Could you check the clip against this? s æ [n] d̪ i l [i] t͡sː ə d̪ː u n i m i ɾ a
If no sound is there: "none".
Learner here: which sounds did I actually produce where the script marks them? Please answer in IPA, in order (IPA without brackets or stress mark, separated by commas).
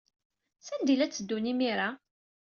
n, æ